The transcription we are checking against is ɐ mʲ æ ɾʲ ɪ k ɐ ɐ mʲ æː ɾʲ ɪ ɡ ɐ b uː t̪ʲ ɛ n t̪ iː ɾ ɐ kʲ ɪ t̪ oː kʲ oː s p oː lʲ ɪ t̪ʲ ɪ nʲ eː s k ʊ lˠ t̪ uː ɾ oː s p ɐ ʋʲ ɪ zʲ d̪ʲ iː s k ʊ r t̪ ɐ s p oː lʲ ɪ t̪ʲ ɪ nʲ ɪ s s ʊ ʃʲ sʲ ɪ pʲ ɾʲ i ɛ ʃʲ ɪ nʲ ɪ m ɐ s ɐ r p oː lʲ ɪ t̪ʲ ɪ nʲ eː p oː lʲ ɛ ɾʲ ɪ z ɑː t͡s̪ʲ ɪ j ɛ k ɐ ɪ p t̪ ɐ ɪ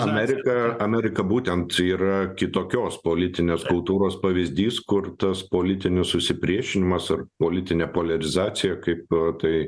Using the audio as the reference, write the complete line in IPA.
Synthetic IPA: ɐ mʲ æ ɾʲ ɪ k ɐ ɐ mʲ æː ɾʲ ɪ k ɐ b uː t̪ʲ ɛ n t̪ iː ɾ ɐ kʲ ɪ t̪ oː kʲ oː s p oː lʲ ɪ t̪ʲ ɪ nʲ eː s k ʊ lˠ t̪ uː ɾ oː s p ɐ ʋʲ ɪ zʲ d̪ʲ iː s k ʊ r t̪ ɐ s p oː lʲ ɪ t̪ʲ ɪ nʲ ɪ s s ʊ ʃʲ sʲ ɪ pʲ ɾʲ i ɛ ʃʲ ɪ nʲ ɪ m ɐ s ɐ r p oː lʲ ɪ t̪ʲ ɪ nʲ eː p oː lʲ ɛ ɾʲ ɪ z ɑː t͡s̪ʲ ɪ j ɛ k ɐ ɪ p t̪ ɐ ɪ